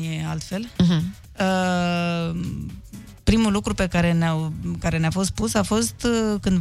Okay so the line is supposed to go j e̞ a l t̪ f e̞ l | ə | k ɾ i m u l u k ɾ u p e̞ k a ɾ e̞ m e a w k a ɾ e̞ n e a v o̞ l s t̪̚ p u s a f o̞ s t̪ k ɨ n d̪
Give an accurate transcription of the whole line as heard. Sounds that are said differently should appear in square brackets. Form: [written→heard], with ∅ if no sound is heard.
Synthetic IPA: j e̞ a l t̪ f e̞ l | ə | [k→p] ɾ i m u l u k ɾ u p e̞ k a ɾ e̞ [m→n] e a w k a ɾ e̞ n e a [v→f] o̞ [l→∅] s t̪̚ p u s a f o̞ s t̪ k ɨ n d̪